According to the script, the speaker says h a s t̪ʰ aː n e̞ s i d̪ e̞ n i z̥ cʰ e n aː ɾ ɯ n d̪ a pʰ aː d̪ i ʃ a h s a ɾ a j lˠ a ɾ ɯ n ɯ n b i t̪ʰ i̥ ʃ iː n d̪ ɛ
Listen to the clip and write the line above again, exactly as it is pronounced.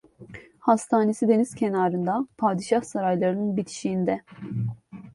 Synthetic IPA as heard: h a s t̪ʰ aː n e̞ s i d̪ e̞ n i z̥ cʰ e n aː ɾ ɯ n d̪ a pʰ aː d̪ i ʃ a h s a ɾ a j lˠ a ɾ ɯ n ɯ n b i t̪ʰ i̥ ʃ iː n d̪ ɛ